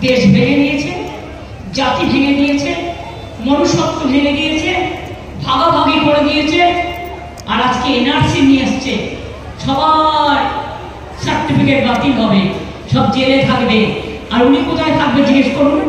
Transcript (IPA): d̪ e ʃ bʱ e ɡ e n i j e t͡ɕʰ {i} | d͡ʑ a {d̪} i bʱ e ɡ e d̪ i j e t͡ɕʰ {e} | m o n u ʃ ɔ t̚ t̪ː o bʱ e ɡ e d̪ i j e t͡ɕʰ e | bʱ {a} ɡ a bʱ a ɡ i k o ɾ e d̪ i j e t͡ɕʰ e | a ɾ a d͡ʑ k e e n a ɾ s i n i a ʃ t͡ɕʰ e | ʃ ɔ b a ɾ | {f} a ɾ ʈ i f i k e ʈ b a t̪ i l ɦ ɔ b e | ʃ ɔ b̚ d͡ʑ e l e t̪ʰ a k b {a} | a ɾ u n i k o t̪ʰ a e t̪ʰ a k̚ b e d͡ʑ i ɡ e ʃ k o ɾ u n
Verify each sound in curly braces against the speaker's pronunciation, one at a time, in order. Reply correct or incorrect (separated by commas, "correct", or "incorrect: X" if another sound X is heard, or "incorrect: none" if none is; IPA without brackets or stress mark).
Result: incorrect: e, incorrect: t̪, correct, correct, incorrect: s, incorrect: e